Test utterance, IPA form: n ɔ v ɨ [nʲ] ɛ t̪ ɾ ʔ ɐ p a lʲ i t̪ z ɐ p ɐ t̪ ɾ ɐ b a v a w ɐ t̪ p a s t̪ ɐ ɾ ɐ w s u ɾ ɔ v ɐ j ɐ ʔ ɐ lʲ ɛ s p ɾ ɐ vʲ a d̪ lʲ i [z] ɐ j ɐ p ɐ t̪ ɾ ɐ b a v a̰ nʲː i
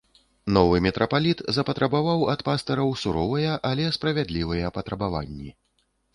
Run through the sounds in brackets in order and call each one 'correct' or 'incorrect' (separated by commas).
incorrect, incorrect